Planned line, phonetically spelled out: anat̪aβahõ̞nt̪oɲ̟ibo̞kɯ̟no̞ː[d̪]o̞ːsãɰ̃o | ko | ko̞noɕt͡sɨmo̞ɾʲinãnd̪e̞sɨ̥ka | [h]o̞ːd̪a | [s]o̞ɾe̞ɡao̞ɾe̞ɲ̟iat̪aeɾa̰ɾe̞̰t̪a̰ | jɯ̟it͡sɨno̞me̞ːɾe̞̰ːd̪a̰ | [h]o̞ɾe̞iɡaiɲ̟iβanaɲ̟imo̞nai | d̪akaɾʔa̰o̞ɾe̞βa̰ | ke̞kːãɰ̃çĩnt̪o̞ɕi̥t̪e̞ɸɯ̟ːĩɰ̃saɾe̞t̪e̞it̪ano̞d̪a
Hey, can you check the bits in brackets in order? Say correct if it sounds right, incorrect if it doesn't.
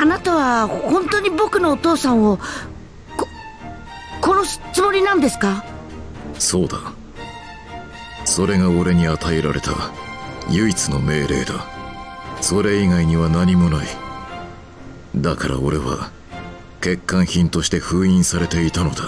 incorrect: t̪, incorrect: s, correct, incorrect: s

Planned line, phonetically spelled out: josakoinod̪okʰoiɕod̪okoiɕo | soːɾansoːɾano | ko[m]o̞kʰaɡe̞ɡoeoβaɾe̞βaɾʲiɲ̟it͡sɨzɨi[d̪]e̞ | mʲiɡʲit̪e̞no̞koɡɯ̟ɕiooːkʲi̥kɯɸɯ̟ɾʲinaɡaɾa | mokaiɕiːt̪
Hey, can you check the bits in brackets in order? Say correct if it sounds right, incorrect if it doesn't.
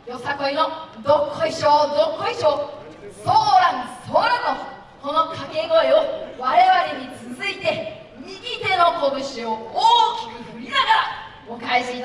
incorrect: n, incorrect: t̪

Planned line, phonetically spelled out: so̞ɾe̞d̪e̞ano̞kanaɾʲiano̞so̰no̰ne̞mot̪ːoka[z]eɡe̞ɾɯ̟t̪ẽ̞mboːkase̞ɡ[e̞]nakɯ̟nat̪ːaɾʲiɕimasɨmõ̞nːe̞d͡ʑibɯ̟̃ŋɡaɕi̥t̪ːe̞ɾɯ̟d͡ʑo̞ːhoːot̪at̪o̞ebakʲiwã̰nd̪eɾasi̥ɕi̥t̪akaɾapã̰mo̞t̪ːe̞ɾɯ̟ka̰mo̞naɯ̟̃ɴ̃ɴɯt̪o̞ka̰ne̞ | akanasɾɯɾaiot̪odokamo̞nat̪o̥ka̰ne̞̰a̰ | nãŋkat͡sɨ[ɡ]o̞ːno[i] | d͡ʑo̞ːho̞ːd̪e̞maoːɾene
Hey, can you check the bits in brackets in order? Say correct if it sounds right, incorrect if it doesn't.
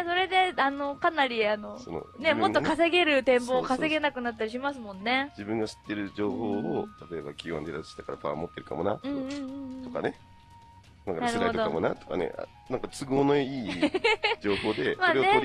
incorrect: s, correct, correct, incorrect: iː

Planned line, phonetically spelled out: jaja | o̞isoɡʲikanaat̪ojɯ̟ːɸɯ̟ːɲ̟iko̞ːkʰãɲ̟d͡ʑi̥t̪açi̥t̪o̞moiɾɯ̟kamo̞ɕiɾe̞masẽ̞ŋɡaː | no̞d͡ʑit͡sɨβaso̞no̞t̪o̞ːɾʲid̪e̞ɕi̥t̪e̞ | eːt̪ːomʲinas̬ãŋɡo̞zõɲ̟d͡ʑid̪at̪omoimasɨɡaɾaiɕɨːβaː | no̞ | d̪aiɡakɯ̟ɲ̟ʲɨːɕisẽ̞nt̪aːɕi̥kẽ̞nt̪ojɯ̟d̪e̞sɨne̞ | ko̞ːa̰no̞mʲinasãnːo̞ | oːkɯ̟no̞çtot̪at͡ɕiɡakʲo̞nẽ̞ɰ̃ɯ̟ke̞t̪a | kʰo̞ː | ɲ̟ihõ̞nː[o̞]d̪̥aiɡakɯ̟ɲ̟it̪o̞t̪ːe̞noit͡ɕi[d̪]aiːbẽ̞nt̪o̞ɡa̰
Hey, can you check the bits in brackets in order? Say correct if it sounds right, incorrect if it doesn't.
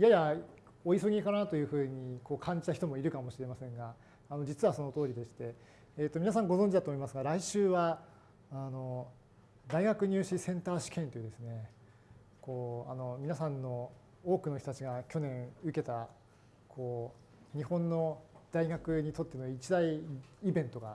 correct, correct

